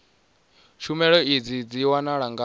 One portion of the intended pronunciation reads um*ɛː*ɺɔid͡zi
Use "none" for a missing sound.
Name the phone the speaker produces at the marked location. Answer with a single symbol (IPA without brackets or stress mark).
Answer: ɛ